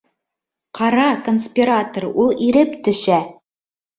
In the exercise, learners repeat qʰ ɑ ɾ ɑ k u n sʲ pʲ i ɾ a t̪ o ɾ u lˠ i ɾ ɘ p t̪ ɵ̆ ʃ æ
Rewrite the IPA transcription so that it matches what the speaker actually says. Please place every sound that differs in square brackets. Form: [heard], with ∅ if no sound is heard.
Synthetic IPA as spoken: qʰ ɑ ɾ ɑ k [o] n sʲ pʲ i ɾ a t̪ o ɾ u lˠ i ɾ ɘ p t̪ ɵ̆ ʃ æ

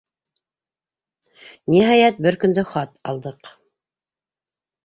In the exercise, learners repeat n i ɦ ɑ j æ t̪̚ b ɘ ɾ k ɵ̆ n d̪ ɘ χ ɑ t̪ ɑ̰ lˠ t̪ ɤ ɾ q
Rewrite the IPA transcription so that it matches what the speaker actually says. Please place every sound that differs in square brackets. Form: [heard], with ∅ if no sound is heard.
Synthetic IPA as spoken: n i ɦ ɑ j æ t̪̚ b ɘ ɾ k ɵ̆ n d̪ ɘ χ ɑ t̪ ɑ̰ lˠ [d̪] ɤ [∅] q

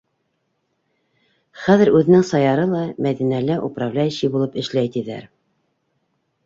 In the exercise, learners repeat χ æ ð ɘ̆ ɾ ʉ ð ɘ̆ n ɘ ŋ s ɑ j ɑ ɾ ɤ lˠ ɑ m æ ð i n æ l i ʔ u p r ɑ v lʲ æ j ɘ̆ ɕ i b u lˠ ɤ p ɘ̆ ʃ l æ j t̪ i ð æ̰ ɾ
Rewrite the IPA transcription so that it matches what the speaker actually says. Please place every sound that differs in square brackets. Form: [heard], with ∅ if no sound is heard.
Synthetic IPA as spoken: χ æ ð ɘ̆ ɾ ʉ ð ɘ̆ n ɘ ŋ s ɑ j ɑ ɾ ɤ lˠ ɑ m æ ð i n æ l [æ] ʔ u p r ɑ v lʲ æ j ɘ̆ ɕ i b u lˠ ɤ p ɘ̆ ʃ l æ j t̪ i ð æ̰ ɾ

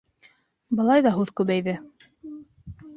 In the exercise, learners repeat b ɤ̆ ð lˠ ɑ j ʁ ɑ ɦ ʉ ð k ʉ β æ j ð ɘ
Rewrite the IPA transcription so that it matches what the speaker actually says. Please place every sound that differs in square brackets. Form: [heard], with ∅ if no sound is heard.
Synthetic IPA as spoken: b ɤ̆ [∅] lˠ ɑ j [ð] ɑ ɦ ʉ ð k ʉ β æ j ð ɘ

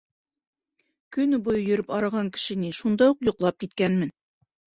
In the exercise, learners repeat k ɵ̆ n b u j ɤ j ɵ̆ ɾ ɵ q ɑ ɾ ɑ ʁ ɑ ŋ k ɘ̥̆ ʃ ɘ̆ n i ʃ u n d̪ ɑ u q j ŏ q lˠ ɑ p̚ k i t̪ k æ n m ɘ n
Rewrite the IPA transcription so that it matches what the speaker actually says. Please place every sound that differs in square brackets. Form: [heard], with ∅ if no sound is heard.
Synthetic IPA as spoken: k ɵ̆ n b u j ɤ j ɵ̆ ɾ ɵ [p] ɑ ɾ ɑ ʁ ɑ ŋ k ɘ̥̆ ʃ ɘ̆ n i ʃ u n d̪ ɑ u q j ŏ q lˠ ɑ p̚ k i t̪ k æ n m ɘ n

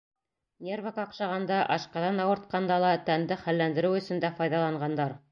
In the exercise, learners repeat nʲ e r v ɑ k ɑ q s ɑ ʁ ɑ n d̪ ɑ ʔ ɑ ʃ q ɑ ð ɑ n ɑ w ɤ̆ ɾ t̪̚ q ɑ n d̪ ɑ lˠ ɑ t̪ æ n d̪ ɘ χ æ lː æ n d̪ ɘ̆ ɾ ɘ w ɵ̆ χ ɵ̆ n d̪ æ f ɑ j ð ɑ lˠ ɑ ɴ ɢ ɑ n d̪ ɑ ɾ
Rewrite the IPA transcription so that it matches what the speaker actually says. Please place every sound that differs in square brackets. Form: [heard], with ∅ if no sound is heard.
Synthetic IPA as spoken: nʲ e r v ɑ k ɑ q [ʃ] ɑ ʁ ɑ n d̪ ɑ ʔ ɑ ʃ q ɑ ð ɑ n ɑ w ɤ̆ ɾ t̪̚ q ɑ n d̪ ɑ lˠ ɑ t̪ æ n d̪ ɘ χ æ lː æ n d̪ ɘ̆ ɾ ɘ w ɵ̆ [s] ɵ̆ n d̪ æ f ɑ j ð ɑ lˠ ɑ ɴ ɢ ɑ n d̪ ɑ ɾ

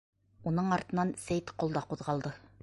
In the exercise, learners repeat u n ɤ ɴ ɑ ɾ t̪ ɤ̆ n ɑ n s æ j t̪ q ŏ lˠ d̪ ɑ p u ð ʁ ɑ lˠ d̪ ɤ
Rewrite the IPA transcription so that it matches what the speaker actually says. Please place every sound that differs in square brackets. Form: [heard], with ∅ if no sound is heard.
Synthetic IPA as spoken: u n ɤ ɴ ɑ ɾ t̪ ɤ̆ n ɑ n s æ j t̪ q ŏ lˠ d̪ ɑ [q] u ð ʁ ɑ lˠ d̪ ɤ

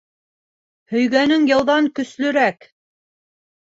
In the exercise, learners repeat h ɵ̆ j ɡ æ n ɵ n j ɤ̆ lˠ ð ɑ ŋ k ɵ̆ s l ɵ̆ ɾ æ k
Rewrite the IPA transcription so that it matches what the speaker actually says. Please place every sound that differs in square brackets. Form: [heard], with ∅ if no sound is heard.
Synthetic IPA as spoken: h ɵ̆ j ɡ æ n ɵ [ŋ] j ɤ̆ lˠ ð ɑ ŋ k ɵ̆ s l ɵ̆ ɾ æ k

